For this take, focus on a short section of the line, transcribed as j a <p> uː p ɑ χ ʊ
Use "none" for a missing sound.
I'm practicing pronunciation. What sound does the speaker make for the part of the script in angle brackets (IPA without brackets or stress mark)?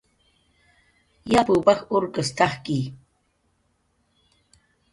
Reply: p